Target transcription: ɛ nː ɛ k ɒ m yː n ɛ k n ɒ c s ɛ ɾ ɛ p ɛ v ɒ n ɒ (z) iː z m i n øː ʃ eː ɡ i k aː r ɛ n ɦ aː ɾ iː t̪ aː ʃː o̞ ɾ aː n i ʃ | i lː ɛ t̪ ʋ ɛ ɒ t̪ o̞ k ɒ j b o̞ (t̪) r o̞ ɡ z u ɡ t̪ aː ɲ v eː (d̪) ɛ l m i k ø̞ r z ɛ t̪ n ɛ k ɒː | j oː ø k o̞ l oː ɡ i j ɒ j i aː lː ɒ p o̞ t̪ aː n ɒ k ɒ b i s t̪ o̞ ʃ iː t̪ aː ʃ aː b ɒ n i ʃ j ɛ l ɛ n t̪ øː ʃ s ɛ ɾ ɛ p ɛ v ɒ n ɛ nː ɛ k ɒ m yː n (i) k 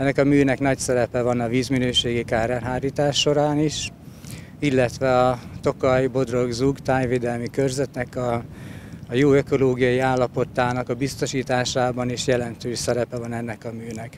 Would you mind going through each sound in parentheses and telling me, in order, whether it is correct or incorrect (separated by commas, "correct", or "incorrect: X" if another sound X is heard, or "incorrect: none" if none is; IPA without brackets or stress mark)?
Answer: incorrect: v, incorrect: d̪, correct, incorrect: ɛ